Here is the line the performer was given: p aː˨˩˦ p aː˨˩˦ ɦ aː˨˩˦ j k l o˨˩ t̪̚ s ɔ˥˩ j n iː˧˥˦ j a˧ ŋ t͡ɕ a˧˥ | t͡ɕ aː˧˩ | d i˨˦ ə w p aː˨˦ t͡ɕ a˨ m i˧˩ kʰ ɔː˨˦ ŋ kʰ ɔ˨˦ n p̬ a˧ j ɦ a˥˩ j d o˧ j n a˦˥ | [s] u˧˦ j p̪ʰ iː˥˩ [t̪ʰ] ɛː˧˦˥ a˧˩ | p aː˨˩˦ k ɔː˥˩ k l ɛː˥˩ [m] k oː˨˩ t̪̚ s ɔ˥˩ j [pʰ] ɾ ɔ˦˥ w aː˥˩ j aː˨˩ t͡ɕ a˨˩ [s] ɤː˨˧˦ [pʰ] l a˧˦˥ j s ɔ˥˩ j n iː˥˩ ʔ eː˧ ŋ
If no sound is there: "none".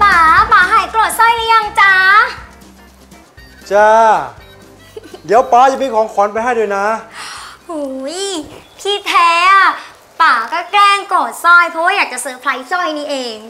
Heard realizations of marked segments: h, t̪ʰ, ŋ, pʰ, s, pʰ

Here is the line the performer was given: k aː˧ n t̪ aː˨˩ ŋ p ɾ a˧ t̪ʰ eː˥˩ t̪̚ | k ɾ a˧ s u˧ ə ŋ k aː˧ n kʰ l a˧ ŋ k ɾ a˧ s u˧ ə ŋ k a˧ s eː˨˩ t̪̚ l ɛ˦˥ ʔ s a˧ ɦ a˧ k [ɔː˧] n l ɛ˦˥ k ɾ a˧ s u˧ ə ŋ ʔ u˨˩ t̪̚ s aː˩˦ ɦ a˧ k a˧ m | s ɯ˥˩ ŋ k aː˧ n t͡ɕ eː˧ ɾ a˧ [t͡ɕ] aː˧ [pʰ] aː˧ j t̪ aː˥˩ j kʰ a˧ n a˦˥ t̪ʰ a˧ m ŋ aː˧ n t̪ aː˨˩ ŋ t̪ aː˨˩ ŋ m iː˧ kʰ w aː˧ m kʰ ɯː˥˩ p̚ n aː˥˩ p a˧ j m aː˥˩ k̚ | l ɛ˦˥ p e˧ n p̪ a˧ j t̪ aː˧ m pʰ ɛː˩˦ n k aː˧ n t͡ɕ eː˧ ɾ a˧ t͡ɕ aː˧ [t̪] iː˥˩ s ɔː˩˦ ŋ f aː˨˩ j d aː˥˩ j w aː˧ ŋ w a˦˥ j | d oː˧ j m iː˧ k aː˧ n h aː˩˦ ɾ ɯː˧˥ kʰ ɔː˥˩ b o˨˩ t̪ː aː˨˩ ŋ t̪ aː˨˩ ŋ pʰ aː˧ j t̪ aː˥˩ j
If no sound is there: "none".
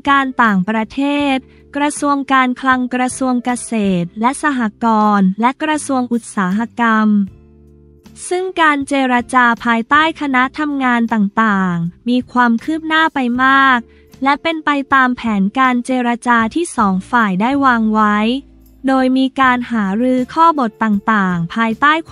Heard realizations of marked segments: ɔː˧, t͡ɕ, pʰ, t̪ʰ

